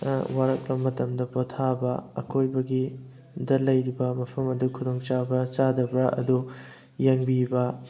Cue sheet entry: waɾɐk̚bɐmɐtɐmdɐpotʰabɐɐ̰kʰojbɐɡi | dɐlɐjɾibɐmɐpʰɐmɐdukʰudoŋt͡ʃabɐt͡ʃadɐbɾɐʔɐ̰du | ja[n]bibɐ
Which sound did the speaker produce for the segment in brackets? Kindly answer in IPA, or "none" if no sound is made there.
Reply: ŋ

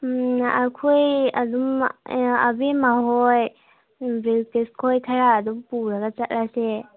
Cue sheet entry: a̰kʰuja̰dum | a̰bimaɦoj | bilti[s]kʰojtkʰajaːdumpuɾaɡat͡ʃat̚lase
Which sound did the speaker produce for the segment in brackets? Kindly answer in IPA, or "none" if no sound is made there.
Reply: s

